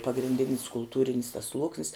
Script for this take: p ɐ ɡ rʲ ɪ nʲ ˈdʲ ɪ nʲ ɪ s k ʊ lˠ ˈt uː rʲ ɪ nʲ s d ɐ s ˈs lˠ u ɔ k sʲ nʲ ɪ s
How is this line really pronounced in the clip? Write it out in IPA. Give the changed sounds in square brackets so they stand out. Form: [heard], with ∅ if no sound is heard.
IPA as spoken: p ɐ ɡ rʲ ɪ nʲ ˈdʲ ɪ nʲ ɪ s k ʊ lˠ ˈt uː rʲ ɪ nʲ s [t] ɐ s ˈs lˠ u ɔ k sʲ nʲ ɪ s